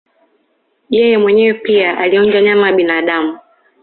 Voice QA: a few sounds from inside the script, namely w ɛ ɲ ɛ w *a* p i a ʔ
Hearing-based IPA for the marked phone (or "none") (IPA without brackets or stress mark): ɛ